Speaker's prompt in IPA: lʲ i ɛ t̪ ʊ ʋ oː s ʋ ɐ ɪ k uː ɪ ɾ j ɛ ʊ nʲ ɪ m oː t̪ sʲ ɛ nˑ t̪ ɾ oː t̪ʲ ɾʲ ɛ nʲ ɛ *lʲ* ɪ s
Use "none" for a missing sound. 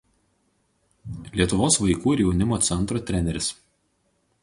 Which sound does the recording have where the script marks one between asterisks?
ɾʲ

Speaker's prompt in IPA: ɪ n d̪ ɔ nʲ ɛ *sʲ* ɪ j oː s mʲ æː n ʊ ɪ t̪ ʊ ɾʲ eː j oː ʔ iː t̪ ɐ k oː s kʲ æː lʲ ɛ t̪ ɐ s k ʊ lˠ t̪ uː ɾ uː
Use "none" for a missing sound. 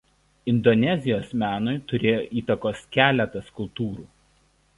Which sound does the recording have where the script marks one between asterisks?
zʲ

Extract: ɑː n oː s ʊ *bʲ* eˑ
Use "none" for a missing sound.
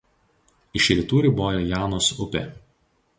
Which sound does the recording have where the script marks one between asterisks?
pʲ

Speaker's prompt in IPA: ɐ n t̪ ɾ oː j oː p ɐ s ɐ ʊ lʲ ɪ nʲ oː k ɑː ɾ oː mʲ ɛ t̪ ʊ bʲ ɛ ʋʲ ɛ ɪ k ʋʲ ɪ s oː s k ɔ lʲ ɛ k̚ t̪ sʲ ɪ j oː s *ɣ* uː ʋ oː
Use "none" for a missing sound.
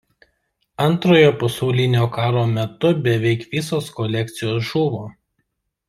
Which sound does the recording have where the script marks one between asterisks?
ʒ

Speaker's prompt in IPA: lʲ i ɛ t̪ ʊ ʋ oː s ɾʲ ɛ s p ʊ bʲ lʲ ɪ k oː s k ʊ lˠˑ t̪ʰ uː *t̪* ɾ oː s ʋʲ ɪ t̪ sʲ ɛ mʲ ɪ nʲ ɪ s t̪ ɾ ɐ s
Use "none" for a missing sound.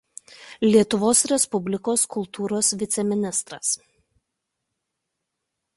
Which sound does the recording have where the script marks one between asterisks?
none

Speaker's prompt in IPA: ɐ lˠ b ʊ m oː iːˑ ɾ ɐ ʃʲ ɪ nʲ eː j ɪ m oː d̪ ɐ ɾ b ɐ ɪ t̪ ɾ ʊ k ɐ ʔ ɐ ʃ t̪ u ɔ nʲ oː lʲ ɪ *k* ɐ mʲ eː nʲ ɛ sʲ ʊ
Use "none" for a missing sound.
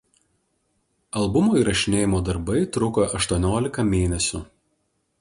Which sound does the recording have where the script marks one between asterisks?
k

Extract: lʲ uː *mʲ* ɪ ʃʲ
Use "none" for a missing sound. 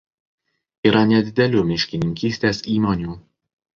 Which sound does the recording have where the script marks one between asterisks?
mʲ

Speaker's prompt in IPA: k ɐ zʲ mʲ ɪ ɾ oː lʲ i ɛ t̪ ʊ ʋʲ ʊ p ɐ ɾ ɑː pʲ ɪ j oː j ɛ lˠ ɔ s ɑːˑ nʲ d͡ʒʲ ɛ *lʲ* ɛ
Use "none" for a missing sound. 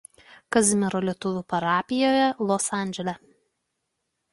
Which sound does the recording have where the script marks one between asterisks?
lʲ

